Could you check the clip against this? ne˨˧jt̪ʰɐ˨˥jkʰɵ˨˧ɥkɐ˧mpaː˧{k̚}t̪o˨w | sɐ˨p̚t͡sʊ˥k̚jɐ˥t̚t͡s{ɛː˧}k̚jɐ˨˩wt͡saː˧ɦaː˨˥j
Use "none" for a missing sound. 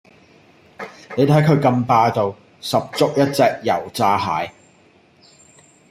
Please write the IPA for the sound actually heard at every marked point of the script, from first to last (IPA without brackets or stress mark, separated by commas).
none, ɛː˧